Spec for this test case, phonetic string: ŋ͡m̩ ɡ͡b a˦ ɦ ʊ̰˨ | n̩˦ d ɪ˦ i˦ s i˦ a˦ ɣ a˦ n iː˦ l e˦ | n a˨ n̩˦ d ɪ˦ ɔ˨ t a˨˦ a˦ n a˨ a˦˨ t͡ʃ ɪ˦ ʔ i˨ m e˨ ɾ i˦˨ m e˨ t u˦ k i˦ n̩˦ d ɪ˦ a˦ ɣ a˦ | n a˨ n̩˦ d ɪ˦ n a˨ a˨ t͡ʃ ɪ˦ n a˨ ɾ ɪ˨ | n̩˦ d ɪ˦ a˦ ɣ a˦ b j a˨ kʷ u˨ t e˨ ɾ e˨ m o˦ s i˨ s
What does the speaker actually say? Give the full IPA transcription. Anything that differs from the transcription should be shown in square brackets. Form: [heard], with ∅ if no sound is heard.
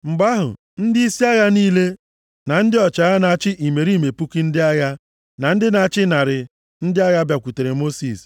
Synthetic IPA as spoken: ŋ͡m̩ ɡ͡b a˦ ɦ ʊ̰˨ | n̩˦ d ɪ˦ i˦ s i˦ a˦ ɣ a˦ n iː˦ l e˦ | n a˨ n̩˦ d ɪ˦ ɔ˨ [t͡ʃ] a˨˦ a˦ n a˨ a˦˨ t͡ʃ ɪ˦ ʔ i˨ m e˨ ɾ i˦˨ m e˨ [p] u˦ k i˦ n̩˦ d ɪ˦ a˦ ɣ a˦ | n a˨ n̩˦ d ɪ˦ n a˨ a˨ t͡ʃ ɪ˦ n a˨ ɾ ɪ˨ | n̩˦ d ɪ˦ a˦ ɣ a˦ b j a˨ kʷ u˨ t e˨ ɾ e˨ m o˦ s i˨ s